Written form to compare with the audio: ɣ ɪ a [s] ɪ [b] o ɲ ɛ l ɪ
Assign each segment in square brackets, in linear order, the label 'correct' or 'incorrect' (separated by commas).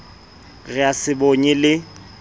correct, correct